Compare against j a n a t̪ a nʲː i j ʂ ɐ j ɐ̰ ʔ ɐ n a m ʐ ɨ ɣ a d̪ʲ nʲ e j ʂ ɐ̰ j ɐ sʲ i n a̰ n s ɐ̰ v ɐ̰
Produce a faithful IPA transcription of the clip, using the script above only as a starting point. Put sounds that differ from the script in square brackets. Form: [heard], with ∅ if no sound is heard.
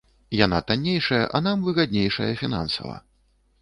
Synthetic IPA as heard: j a n a t̪ a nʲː [e] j ʂ ɐ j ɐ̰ ʔ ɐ n a m [v] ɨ ɣ a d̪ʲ nʲ e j ʂ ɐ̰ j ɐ [fʲ] i n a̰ n s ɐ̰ v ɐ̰